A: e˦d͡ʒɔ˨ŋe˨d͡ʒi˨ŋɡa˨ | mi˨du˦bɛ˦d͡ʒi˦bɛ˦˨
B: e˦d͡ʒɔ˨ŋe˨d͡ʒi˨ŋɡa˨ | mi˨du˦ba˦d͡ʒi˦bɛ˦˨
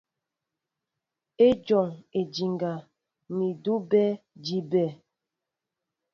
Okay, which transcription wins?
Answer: A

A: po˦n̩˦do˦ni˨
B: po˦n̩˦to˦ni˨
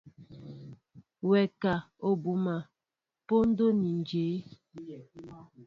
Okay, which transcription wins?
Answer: A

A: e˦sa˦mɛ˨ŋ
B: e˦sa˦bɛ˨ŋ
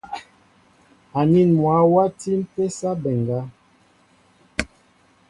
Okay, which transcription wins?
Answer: B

